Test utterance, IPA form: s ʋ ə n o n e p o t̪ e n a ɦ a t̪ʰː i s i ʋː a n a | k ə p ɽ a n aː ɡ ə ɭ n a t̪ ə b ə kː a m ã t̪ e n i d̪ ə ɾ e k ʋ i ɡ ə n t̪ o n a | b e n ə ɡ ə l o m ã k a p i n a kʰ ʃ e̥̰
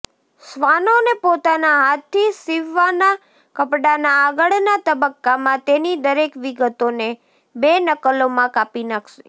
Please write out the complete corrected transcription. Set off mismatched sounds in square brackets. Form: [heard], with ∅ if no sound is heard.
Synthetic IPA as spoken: s ʋ [a] n o n e p o t̪ [a] n a ɦ a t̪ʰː i s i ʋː a n a | k ə p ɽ a n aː ɡ ə ɭ n a t̪ ə b ə kː a m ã t̪ e n i d̪ ə ɾ e k ʋ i ɡ ə [∅] t̪ o n [e] | b e n ə [k] ə l o m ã k a p i n a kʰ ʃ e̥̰